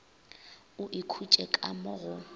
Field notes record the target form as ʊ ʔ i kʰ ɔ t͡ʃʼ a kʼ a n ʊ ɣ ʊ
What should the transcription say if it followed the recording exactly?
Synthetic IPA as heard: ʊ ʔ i kʰ u t͡ʃʼ ɛ kʼ a m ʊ ɣ ʊ

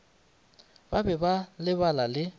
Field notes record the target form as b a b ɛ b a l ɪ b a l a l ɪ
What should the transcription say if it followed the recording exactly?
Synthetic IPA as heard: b a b ɛ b a l ɪ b a l a l ɪ

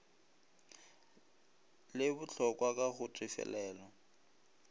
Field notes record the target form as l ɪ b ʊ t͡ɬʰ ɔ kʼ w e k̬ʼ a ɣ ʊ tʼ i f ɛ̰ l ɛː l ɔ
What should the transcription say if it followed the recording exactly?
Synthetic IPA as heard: l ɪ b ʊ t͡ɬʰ ɔ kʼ w a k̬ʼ a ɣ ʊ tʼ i f ɛ̰ l ɛː l ɔ

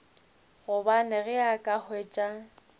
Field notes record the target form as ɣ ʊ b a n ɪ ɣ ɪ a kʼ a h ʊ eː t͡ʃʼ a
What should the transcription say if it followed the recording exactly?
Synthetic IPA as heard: ɣ ʊ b a n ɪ ɣ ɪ a kʼ a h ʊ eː t͡ʃʼ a

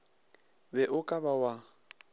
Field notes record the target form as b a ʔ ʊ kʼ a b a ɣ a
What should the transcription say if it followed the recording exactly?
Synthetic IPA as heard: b ɛ ʔ ʊ kʼ a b a w a

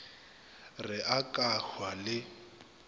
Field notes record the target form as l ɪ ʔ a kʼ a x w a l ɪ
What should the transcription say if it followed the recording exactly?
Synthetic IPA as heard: r ɪ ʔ a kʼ a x w a l ɪ

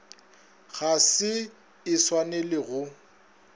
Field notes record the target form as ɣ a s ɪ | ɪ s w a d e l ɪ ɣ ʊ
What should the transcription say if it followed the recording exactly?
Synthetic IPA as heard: ɣ a s ɪ | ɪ s w a n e l ɪ ɣ ʊ

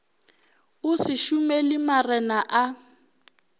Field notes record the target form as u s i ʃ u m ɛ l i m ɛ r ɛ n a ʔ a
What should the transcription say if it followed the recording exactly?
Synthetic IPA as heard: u s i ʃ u m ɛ l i m a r ɛ n a ʔ a

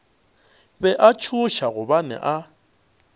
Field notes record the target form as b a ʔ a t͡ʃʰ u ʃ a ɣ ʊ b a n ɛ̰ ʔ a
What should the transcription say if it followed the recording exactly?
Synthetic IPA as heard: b ɛ ʔ a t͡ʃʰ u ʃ a ɣ ʊ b a n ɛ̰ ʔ a

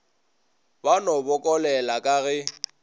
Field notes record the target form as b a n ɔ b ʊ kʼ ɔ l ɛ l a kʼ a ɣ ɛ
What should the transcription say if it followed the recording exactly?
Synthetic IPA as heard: b a n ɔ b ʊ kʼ ɔ l ɛ l a kʼ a ɣ ɛ

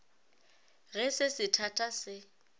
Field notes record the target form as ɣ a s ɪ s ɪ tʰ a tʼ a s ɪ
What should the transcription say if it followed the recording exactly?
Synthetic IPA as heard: ɣ ɛ s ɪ s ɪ tʰ a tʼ a s ɪ

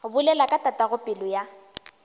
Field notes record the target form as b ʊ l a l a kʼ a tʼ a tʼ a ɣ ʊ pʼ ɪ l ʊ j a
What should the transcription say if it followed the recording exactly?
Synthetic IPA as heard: b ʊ l ɛ l a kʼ a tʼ a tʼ a ɣ ʊ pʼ ɪ l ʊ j a

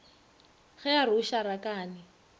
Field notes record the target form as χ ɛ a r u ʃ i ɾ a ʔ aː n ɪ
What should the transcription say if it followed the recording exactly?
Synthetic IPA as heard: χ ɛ a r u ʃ a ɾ a k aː n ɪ

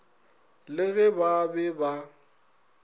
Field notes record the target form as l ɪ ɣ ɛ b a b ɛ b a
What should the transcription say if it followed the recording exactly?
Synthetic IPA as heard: l ɪ ɣ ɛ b a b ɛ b a

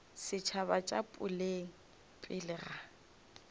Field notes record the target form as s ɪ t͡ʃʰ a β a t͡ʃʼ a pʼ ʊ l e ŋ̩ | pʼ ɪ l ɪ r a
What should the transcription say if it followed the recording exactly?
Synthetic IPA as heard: s ɪ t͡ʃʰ a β a t͡ʃʼ a pʼ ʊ l e ŋ̩ | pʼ ɪ l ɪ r a

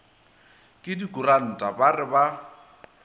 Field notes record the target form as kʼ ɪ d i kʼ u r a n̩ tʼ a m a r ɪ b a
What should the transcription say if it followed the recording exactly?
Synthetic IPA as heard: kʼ ɪ d i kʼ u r a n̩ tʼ a b a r ɪ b a

